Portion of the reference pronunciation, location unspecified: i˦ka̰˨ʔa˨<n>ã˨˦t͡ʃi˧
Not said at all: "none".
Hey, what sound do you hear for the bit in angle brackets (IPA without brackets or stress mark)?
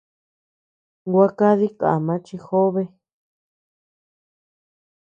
m